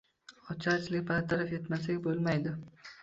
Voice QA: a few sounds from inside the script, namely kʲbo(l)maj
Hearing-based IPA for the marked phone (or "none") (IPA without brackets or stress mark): l